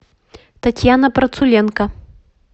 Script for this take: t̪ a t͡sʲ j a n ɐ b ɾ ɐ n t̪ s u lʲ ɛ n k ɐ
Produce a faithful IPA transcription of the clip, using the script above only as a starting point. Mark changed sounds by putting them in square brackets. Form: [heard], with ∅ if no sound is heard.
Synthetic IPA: t̪ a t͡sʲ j a n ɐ [p] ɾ ɐ [∅] t̪ s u lʲ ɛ n k ɐ